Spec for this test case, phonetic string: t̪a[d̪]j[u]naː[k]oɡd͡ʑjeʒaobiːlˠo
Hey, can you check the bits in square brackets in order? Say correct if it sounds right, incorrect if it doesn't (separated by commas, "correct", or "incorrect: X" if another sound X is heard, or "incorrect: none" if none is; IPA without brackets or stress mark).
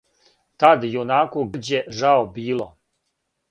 correct, incorrect: o, correct